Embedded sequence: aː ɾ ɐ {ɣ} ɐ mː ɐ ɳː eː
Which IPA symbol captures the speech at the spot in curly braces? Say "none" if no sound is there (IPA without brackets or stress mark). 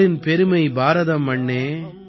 ð